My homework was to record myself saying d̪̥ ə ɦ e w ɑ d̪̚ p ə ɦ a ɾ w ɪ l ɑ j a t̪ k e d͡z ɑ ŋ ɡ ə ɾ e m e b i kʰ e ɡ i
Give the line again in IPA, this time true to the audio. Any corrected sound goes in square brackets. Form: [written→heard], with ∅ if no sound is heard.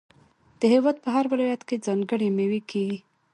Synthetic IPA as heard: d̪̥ ə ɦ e w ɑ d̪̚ p ə ɦ a ɾ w ɪ l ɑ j a t̪ k e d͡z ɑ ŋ ɡ ə [ɾ→ɽ] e m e [b→w] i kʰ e ɡ i